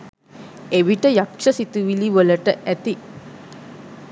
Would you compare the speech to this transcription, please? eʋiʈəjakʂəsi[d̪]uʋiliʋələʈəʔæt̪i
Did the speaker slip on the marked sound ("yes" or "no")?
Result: yes